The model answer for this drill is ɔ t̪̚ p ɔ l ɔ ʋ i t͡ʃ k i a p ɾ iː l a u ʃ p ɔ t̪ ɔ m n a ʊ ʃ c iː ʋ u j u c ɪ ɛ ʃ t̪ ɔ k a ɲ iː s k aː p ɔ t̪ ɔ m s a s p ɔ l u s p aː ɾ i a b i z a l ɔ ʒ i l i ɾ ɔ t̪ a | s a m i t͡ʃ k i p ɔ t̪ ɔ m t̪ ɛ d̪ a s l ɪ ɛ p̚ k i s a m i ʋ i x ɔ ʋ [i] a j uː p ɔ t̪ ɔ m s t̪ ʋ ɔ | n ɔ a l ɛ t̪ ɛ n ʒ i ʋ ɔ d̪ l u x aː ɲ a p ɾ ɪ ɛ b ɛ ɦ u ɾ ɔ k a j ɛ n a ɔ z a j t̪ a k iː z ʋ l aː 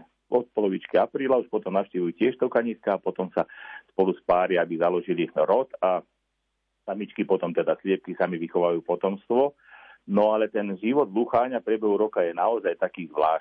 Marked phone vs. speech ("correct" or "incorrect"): incorrect